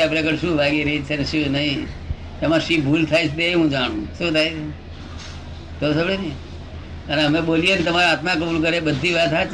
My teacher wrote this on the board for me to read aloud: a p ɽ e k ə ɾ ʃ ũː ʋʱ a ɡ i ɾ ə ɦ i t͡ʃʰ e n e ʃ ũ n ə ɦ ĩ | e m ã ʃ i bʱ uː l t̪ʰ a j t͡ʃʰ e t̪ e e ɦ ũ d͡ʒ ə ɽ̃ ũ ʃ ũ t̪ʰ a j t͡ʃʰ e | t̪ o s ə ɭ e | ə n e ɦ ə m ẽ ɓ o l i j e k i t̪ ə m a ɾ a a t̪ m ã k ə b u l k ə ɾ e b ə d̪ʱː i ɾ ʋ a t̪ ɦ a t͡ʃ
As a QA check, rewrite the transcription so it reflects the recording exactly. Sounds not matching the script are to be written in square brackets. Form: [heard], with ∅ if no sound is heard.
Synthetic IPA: a p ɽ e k ə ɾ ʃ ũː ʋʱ a ɡ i ɾ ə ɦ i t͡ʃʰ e n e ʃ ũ n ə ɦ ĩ | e m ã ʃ i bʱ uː l t̪ʰ a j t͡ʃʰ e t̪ e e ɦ ũ d͡ʒ [a] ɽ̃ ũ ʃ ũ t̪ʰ a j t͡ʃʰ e | t̪ o s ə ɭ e | ə n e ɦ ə m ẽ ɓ o l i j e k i t̪ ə m a ɾ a a t̪ m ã k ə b u l k ə ɾ e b ə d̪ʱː i [∅] ʋ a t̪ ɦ a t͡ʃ